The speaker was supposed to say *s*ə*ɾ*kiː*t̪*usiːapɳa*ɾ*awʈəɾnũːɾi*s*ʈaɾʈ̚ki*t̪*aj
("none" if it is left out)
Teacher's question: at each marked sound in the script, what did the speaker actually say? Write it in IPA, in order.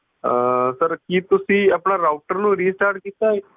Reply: s, ɾ, t̪, ɾ, s, t̪

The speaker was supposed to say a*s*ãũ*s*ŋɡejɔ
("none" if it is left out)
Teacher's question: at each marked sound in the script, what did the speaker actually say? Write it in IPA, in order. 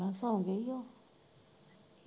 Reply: s, none

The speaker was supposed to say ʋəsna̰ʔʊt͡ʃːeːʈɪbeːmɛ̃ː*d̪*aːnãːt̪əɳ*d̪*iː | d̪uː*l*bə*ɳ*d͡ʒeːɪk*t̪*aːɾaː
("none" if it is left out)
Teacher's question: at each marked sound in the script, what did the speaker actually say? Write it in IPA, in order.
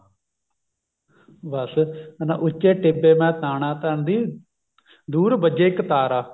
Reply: t̪, d̪, ɾ, none, t̪

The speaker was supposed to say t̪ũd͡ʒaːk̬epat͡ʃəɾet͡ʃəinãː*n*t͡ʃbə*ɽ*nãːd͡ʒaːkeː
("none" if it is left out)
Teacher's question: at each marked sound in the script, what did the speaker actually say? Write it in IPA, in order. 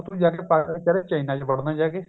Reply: none, ɽ

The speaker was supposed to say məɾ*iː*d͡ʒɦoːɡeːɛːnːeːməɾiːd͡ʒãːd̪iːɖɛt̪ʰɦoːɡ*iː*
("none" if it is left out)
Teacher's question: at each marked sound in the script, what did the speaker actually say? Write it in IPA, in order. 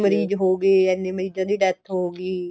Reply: iː, iː

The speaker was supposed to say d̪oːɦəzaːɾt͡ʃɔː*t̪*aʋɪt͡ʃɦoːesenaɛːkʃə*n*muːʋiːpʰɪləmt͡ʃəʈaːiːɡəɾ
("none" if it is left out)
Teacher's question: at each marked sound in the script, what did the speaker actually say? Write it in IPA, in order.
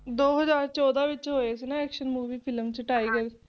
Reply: d̪, n

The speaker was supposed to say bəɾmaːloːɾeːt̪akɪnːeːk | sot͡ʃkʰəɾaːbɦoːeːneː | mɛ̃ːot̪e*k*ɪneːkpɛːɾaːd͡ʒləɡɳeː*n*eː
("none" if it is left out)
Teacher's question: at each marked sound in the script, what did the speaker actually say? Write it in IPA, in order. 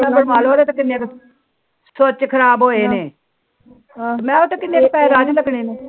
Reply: k, n

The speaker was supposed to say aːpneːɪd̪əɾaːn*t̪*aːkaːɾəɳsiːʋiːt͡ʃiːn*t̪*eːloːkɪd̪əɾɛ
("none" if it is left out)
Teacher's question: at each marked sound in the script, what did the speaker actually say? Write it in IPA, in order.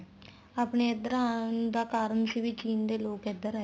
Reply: d̪, d̪

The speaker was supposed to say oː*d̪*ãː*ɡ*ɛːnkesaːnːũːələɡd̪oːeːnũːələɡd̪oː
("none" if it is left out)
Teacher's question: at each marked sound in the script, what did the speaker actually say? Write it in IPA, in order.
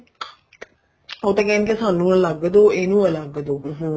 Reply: t̪, k

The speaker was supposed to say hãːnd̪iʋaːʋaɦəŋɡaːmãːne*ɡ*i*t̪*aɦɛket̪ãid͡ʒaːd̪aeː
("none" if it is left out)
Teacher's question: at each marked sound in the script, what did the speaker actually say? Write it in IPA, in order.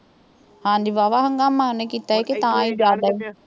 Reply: k, t̪

